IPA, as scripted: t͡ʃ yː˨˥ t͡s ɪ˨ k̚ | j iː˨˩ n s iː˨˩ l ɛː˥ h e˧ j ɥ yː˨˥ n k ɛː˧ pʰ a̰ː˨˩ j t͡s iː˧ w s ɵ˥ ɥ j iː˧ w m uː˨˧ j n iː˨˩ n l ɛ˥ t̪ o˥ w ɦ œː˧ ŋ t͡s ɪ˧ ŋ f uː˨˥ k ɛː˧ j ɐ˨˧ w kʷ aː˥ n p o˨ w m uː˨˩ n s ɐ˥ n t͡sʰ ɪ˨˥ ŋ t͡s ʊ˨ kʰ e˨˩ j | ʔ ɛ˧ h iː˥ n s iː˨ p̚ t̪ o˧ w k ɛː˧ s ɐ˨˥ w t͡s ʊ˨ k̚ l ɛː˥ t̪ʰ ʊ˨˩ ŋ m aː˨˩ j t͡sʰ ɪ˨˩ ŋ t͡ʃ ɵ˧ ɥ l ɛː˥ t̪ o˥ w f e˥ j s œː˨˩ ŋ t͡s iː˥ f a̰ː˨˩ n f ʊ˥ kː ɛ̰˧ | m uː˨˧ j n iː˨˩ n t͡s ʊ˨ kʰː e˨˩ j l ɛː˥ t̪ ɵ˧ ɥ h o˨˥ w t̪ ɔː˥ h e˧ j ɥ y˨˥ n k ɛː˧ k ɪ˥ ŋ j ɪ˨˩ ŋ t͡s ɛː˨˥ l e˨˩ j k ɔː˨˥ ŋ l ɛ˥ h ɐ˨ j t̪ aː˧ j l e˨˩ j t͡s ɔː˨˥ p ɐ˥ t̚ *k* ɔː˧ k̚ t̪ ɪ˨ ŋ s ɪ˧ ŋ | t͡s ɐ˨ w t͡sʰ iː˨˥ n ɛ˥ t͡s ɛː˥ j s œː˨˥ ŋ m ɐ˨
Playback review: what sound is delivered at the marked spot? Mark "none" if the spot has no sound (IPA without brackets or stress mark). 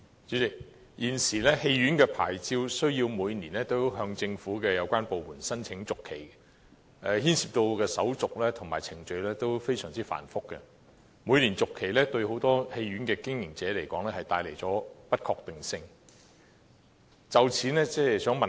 kʰ